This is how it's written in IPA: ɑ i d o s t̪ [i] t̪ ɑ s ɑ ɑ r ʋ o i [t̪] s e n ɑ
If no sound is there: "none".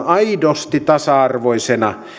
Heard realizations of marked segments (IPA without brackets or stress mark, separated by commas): i, none